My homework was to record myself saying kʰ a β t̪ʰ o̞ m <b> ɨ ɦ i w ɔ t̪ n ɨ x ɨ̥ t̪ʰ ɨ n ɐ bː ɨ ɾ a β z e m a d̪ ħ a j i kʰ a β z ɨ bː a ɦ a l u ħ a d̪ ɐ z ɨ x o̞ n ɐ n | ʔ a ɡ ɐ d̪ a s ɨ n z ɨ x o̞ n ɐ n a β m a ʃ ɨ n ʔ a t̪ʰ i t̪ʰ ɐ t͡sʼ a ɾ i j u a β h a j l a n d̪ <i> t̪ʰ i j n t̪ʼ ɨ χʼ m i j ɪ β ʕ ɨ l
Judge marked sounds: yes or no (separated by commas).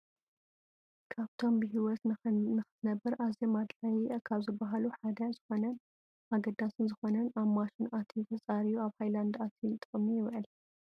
yes, no